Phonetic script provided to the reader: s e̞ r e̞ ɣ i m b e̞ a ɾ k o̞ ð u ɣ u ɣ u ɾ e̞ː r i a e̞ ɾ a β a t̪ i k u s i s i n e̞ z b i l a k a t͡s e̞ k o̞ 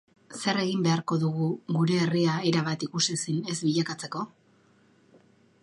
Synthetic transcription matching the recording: s e̞ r e̞ ɣ i m b e̞ a ɾ k o̞ ð u ɣ u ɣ u ɾ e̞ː r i a e̞ ɾ a β a t̪ i k u s i s i n e̞ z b i ʎ a k a t͡s e̞ k o̞